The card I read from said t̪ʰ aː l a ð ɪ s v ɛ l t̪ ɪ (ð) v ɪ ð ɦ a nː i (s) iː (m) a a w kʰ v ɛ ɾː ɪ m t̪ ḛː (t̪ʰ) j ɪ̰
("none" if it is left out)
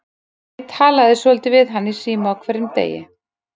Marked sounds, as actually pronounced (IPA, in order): none, s, m, none

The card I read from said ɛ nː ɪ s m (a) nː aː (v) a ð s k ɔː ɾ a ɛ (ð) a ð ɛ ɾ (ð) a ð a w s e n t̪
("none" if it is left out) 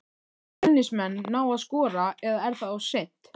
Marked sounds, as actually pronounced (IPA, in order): ɛ, w, ð, θ

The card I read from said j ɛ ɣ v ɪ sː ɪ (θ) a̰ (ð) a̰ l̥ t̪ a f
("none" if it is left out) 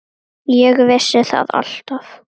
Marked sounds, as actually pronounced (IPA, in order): θ, ð

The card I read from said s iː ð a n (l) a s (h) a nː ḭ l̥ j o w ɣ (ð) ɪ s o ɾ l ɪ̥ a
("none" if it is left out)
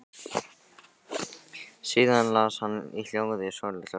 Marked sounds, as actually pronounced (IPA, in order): l, h, ð

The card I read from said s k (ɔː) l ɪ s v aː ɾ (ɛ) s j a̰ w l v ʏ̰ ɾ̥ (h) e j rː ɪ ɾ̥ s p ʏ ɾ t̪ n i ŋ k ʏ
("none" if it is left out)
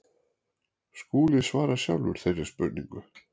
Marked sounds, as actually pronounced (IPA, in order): uː, a, θ

